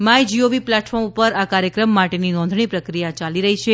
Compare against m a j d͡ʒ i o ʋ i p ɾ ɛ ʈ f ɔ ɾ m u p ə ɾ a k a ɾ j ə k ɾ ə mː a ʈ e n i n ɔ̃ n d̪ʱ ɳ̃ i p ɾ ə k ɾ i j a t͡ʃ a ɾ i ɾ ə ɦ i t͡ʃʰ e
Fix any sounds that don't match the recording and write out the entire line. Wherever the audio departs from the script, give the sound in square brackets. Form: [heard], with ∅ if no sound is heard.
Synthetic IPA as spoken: m a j d͡ʒ i o ʋ i p [l] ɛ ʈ f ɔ ɾ m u p ə ɾ a k a ɾ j ə k ɾ ə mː a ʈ e n i n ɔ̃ n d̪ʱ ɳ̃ i p ɾ ə k ɾ i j a t͡ʃ a [l] i ɾ ə ɦ i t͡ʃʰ e